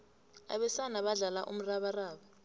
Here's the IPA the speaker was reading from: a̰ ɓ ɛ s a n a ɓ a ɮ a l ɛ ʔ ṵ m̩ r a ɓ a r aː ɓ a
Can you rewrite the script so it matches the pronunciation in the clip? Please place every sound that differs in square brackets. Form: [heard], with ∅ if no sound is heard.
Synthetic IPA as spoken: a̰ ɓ ɛ s a n a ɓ a ɮ a l [a] ʔ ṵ m̩ r a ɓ a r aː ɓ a